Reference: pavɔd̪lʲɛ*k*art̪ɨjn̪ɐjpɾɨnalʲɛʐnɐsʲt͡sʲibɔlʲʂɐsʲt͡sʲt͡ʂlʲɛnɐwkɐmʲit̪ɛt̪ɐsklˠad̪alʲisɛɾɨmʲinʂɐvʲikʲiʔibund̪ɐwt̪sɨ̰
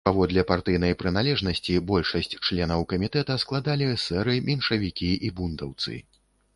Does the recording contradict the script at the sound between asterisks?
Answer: yes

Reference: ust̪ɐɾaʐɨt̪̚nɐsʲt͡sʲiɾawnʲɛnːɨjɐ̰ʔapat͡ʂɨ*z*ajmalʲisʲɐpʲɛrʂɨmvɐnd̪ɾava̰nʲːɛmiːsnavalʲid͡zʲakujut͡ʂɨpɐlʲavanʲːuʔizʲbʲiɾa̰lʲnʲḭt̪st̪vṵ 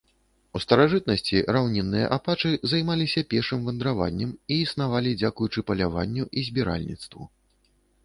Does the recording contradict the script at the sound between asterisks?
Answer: no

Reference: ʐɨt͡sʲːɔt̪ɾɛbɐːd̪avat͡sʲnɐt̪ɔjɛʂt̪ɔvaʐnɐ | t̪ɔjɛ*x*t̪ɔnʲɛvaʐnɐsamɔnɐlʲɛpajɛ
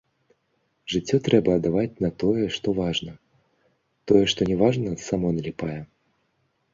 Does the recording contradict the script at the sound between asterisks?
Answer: yes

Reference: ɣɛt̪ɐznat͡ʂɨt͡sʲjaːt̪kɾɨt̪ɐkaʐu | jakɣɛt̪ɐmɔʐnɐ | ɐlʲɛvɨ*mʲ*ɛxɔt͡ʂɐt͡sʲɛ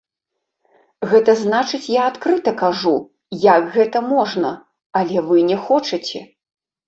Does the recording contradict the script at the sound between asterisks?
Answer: yes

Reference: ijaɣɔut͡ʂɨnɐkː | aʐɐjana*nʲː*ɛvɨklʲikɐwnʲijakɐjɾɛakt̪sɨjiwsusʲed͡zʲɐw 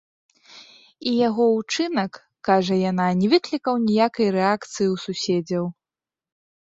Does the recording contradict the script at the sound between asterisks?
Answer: yes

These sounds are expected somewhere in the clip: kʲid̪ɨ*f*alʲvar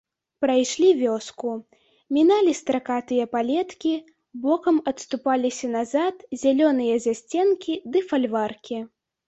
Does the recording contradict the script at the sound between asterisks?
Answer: no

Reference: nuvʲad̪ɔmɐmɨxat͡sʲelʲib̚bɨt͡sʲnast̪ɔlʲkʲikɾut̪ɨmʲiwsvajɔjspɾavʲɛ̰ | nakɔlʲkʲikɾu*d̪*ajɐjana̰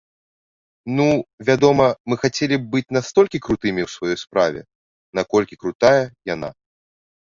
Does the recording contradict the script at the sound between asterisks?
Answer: yes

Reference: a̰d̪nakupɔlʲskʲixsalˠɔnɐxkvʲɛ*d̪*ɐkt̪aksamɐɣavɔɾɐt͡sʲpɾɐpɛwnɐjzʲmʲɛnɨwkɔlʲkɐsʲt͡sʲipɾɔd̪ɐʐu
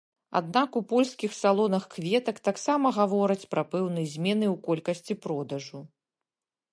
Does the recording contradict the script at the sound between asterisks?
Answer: yes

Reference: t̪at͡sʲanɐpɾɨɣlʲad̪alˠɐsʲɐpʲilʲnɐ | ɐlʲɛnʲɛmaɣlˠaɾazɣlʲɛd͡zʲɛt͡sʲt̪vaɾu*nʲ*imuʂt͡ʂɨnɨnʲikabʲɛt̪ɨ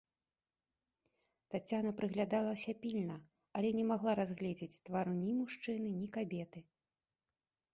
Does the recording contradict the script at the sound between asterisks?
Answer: no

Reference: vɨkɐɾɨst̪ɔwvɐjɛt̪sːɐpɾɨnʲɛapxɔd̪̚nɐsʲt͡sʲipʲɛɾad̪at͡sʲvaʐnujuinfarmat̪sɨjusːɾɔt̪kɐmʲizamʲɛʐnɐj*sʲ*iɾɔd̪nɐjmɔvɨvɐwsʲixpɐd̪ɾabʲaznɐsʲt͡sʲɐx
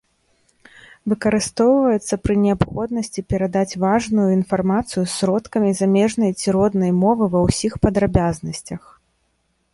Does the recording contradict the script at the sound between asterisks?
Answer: yes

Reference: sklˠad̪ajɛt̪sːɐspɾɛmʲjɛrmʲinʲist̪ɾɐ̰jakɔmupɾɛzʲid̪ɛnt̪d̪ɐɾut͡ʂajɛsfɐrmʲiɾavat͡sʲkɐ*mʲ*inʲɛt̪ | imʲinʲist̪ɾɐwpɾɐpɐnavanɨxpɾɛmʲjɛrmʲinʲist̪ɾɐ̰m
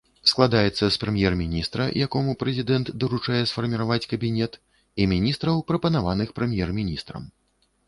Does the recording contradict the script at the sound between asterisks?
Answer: yes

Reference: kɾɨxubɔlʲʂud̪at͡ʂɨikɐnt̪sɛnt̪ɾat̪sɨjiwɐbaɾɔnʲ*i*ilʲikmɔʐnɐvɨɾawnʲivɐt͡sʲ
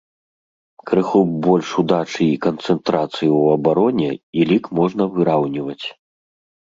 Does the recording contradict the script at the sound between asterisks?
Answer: yes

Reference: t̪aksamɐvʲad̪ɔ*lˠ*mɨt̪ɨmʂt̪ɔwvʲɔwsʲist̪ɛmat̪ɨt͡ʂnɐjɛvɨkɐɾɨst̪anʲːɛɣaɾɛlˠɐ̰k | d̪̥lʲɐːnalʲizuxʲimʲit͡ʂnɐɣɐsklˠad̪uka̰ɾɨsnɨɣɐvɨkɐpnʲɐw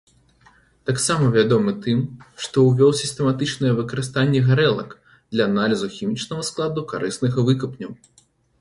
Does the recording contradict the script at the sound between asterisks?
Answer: yes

